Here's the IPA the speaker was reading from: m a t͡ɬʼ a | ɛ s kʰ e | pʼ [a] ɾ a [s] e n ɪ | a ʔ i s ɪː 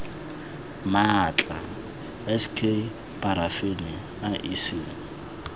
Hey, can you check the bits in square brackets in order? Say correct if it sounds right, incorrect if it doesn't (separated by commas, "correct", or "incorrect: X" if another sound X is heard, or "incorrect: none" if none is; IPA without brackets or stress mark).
correct, incorrect: f